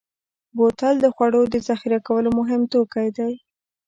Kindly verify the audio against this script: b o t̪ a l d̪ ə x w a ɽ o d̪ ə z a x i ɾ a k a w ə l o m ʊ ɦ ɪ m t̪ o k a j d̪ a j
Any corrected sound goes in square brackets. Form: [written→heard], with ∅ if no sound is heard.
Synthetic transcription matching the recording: b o t̪ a l d̪ ə x w a ɽ o d̪ ə z a x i ɾ a k a w ə l o m ʊ ɦ ɪ m t̪ o k a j d̪ a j